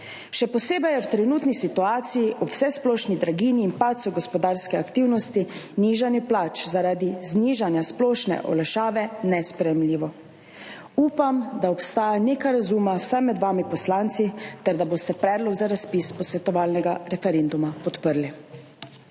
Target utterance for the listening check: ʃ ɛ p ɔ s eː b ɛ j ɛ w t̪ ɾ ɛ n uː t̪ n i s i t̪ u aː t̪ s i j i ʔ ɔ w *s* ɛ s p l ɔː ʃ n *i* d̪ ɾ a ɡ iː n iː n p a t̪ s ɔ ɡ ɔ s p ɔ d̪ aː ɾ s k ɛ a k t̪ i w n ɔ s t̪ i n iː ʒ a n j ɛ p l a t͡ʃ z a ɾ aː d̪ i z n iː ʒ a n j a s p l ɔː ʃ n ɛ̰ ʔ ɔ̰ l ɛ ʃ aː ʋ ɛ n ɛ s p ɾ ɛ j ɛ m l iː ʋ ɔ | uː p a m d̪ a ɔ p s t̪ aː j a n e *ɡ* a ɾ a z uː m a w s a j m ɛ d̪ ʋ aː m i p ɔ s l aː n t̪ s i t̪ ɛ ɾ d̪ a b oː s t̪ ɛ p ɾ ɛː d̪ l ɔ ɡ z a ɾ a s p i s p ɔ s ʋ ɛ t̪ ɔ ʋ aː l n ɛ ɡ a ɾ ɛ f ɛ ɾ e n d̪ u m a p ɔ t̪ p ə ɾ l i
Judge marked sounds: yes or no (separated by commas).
yes, yes, no